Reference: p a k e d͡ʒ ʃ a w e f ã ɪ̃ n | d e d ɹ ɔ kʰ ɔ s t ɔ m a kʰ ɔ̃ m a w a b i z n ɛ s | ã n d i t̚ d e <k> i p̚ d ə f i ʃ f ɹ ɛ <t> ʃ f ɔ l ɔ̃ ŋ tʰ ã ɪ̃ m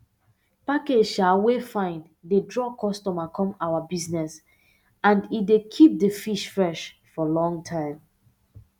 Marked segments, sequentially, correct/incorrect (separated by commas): incorrect, incorrect